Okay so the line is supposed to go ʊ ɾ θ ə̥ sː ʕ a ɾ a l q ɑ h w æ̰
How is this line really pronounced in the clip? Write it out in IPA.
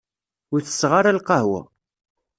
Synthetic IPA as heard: ʊ ɾ θ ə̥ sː ʁ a ɾ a l q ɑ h w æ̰